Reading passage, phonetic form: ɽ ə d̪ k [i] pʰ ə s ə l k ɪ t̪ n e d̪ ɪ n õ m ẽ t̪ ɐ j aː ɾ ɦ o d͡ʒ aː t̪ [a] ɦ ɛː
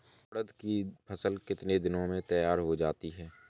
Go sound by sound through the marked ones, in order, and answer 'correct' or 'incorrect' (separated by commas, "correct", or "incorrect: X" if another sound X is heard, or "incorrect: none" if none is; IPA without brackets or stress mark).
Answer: correct, incorrect: i